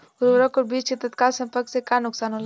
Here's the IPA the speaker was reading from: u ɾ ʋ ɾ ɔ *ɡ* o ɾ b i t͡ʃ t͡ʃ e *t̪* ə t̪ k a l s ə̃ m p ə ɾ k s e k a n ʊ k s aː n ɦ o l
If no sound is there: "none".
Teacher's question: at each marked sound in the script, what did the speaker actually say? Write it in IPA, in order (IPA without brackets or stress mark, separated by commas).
k, t̪